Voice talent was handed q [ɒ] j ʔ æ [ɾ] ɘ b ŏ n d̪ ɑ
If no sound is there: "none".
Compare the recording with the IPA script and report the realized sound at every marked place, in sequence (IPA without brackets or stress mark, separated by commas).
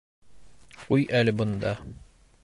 u, l